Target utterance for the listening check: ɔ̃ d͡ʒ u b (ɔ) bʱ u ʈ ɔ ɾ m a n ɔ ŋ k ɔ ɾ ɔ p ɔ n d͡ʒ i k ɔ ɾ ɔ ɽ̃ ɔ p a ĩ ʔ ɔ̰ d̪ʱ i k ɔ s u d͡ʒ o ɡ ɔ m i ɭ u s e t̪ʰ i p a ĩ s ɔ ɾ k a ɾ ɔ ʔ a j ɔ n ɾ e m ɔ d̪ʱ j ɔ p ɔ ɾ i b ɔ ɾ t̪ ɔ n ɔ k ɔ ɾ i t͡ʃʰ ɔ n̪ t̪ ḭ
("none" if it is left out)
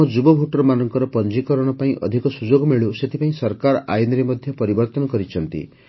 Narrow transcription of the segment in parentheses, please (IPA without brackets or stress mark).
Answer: ɔ